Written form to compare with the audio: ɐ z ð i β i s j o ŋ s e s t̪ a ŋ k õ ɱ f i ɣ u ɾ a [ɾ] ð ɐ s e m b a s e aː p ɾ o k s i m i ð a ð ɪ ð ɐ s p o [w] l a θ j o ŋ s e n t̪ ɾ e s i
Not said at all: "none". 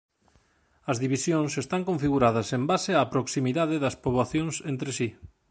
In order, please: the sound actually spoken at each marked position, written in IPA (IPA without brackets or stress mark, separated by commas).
none, β